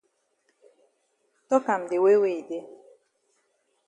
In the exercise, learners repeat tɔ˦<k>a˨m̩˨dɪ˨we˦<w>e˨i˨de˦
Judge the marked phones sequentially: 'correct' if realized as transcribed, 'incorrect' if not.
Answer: correct, correct

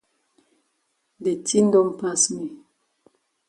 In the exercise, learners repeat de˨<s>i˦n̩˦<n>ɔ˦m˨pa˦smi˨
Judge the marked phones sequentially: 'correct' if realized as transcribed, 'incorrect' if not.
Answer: incorrect: t, incorrect: d

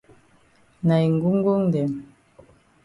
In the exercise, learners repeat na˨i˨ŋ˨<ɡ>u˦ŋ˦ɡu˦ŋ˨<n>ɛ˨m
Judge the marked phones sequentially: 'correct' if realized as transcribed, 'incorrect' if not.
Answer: correct, incorrect: d

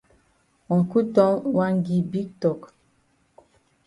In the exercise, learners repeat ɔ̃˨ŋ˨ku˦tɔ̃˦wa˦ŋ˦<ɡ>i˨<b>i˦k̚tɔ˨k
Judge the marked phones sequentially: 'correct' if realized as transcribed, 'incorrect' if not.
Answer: correct, correct

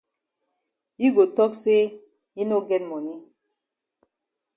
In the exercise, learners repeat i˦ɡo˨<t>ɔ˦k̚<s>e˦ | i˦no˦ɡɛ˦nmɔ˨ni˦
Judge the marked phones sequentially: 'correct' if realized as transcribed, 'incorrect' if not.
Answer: correct, correct

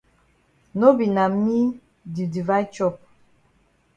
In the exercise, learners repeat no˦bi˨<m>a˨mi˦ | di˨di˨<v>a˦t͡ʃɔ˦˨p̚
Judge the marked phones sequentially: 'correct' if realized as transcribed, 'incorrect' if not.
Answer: incorrect: n, correct

